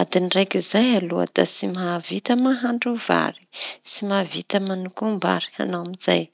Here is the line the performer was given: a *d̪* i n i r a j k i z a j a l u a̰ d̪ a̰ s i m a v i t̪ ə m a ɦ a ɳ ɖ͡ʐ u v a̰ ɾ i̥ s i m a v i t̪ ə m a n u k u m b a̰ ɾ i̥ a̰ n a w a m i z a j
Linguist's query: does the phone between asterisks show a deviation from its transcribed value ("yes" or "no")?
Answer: no